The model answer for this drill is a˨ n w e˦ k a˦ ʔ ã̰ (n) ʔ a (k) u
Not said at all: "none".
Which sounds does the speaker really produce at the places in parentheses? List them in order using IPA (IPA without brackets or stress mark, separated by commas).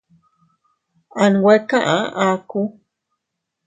none, k